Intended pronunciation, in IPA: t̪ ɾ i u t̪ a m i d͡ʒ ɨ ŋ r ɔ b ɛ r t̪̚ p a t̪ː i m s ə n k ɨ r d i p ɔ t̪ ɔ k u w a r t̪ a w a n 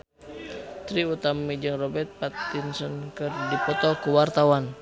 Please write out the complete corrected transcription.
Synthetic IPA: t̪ ɾ i u t̪ a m i d͡ʒ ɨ ŋ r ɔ b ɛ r t̪̚ p a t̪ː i n s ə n k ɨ r d i p ɔ t̪ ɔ k u w a r t̪ a w a n